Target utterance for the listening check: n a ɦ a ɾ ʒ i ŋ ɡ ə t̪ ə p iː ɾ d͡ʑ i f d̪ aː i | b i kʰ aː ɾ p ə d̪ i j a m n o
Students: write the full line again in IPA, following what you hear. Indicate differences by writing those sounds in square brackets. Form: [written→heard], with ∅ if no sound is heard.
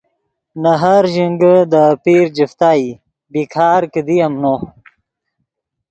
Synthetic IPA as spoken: n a ɦ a ɾ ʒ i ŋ ɡ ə [t̪→d̪] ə p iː ɾ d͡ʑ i f [d̪→t̪] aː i | b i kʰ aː ɾ [p→k] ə d̪ i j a m n o